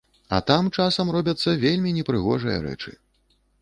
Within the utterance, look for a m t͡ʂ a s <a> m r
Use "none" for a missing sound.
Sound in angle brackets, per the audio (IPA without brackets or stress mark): ɐ